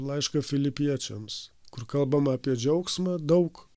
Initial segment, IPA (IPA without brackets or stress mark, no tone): lˠ